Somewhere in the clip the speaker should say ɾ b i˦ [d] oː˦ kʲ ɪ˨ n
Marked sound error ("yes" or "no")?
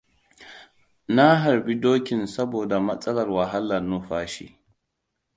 no